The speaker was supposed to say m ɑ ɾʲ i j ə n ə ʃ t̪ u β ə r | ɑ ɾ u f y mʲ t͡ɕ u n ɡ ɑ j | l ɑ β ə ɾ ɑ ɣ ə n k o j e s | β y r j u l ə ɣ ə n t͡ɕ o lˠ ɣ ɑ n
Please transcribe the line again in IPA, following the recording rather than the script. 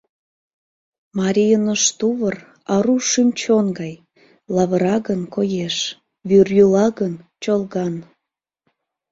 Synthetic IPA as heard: m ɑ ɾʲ i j ə n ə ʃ t̪ u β ə r | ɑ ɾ u ʃ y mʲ t͡ɕ o n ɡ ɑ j | l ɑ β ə ɾ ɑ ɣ ə n k o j e ʃ | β y r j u l ɑ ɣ ə n t͡ɕ o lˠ ɣ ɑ n